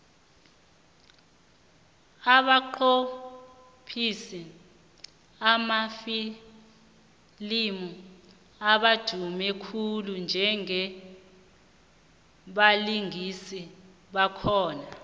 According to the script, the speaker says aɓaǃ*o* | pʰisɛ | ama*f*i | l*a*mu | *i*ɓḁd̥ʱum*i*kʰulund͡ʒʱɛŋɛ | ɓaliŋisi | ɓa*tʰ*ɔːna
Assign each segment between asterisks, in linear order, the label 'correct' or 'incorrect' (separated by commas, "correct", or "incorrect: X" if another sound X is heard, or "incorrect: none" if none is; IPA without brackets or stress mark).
correct, correct, incorrect: i, incorrect: a, incorrect: ɛ, incorrect: kʰ